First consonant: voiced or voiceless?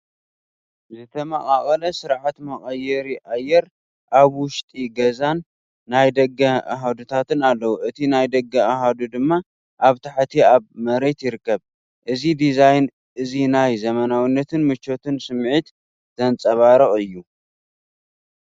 voiced